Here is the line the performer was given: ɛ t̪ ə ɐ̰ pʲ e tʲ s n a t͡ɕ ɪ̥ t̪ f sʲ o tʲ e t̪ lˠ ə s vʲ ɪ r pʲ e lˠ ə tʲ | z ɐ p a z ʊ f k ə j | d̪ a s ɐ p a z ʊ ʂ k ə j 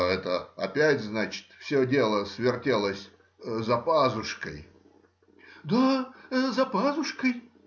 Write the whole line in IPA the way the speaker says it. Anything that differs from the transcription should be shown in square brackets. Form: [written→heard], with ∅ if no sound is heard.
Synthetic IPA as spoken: ɛ t̪ ə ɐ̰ pʲ [e→æ] tʲ [s→z] n a t͡ɕ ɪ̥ t̪ f sʲ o [tʲ→dʲ] e [t̪→∅] lˠ ə s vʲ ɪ r [pʲ→tʲ] e lˠ ə [tʲ→sʲ] | z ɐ p a z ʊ [f→ʂ] k ə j | d̪ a [s→z] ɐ p a z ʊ ʂ k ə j